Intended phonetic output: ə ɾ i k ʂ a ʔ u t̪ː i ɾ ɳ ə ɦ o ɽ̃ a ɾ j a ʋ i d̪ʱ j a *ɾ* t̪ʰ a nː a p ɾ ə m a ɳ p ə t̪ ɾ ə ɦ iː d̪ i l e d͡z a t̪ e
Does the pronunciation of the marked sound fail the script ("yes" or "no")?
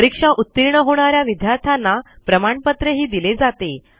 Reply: no